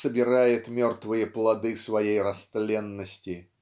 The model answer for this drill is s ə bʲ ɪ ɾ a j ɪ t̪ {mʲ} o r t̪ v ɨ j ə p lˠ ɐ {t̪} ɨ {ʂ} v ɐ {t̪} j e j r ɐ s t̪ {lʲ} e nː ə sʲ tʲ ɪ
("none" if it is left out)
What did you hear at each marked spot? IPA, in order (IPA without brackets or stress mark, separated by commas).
mʲ, d̪, s, none, lʲ